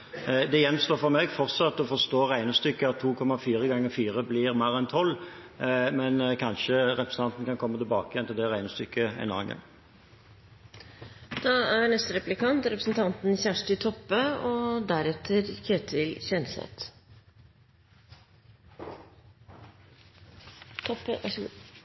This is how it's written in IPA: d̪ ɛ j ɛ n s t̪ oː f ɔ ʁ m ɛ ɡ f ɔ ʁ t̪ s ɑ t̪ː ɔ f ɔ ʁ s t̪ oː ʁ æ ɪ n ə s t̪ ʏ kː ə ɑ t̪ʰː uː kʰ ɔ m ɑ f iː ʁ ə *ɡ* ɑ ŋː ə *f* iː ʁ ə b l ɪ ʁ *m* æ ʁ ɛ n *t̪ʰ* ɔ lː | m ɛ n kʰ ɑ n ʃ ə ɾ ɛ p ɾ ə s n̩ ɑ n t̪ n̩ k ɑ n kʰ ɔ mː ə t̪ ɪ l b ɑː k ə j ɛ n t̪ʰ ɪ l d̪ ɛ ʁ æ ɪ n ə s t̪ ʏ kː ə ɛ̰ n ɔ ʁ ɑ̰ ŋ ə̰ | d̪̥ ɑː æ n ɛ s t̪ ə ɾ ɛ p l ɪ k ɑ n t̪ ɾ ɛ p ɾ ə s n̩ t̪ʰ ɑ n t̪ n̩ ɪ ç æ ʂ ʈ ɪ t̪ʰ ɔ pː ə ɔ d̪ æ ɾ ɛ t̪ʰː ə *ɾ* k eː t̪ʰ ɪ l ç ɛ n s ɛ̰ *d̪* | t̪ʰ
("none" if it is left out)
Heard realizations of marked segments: ɡ, f, m, t̪ʰ, ɾ, t̪

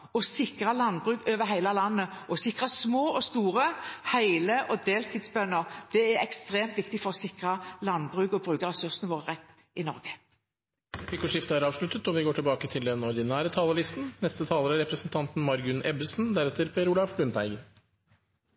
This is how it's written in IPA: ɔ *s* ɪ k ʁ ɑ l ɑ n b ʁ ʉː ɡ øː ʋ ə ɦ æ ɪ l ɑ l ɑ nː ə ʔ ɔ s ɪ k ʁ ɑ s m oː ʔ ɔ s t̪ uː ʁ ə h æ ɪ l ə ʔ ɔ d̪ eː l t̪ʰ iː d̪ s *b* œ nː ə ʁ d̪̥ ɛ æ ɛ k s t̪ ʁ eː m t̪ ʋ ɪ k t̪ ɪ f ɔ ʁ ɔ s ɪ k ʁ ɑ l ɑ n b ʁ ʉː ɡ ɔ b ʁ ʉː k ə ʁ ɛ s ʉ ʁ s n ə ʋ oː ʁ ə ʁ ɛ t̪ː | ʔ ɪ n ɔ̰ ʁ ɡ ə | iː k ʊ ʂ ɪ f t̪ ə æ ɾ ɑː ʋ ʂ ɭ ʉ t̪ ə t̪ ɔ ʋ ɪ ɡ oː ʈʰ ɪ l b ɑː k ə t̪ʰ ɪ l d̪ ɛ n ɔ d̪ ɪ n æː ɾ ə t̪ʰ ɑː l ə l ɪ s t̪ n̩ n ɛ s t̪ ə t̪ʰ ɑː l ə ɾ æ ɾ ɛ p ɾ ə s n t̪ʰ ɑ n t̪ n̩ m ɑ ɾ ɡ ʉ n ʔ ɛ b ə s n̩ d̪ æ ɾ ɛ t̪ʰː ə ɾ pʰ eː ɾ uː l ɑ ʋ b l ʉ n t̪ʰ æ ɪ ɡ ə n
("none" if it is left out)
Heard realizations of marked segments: s, b

